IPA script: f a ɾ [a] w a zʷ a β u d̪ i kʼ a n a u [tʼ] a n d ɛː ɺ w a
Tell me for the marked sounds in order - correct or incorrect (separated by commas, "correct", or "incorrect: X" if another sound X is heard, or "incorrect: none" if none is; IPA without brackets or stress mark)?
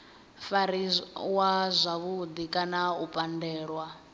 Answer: incorrect: i, incorrect: pʼ